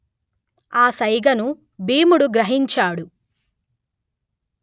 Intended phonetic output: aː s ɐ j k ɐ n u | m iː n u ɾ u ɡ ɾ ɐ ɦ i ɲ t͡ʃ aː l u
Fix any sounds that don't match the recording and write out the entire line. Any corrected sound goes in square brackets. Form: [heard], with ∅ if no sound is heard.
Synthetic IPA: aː s ɐ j [ɡ] ɐ n u | [b] iː [m] u [ɽ] u ɡ ɾ ɐ ɦ i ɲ t͡ʃ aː [ɽ] u